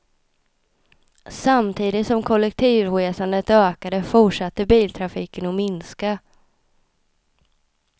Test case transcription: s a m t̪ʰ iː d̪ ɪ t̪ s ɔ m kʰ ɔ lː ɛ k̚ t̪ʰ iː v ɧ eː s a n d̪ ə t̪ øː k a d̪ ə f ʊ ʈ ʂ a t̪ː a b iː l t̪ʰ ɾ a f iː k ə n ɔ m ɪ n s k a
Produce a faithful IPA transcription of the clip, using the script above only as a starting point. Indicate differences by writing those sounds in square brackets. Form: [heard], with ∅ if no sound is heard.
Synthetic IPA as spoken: s a m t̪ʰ iː d̪ ɪ t̪ s ɔ m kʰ ɔ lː ɛ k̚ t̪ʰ iː v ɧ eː s a n d̪ ə t̪ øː k a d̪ ə f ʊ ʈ ʂ a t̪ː [ə] b iː l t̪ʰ ɾ a f iː k ə n ɔ m ɪ n s k a

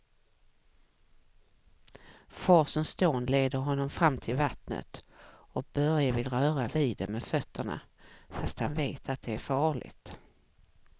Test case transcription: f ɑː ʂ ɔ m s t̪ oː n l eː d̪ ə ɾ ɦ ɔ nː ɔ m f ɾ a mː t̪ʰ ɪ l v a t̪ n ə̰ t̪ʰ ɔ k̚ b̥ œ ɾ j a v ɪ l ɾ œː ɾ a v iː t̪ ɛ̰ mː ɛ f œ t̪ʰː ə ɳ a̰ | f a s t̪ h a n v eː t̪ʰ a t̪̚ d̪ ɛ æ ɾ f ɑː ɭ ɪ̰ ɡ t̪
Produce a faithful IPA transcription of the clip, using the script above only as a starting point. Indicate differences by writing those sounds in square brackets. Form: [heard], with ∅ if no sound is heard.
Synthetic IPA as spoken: f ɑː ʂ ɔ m s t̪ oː n l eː d̪ ə ɾ ɦ ɔ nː ɔ m f ɾ a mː t̪ʰ ɪ l v a t̪ n ə̰ [t̪] ɔ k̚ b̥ œ ɾ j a v ɪ l ɾ œː ɾ a v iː [d̪] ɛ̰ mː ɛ f œ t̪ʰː ə ɳ a̰ | f a s t̪ h a n v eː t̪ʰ a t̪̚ d̪ ɛ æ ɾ f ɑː ɭ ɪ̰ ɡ t̪

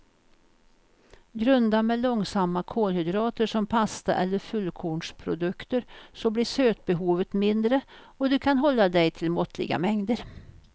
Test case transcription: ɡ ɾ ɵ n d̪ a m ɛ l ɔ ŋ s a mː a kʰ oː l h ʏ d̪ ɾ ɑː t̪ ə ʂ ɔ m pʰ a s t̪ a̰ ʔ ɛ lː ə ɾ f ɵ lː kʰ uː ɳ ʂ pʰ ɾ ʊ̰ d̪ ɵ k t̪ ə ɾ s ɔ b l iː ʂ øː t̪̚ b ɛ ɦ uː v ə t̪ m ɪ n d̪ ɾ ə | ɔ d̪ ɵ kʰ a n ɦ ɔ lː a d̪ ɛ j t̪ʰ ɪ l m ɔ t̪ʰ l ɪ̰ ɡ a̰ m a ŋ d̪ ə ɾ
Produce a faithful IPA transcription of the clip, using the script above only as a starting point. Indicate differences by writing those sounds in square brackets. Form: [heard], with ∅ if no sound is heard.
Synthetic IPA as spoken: ɡ ɾ ɵ n d̪ a m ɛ l ɔ ŋ s a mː a kʰ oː l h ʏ d̪ ɾ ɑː t̪ ə ʂ ɔ m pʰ a s t̪ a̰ ʔ ɛ lː ə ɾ f ɵ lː kʰ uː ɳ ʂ pʰ ɾ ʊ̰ d̪ ɵ k t̪ ə ɾ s ɔ b l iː ʂ øː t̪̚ b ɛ ɦ uː v ə t̪ m ɪ n d̪ ɾ ə | ɔ d̪ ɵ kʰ a n ɦ ɔ lː a d̪ ɛ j t̪ʰ ɪ l m ɔ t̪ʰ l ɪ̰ ɡ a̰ m [ɛ] ŋ d̪ ə ɾ

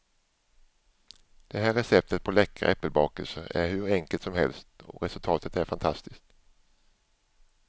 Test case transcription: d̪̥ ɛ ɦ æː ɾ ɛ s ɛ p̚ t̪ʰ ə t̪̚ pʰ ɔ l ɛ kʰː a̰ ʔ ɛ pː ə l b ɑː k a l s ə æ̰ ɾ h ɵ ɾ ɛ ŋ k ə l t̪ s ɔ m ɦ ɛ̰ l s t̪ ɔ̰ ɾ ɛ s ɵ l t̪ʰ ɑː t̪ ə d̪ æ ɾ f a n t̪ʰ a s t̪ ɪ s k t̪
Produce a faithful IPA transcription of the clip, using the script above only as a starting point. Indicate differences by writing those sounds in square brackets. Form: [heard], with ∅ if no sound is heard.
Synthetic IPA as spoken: d̪̥ ɛ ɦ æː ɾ ɛ s ɛ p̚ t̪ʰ ə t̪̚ pʰ ɔ l ɛ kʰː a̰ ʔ ɛ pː ə l b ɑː k [ə] l s ə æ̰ ɾ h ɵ ɾ ɛ ŋ k ə l t̪ s ɔ m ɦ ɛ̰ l s t̪ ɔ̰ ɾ ɛ s ɵ l t̪ʰ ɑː t̪ ə [t̪] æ ɾ f a n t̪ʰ a s t̪ ɪ s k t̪

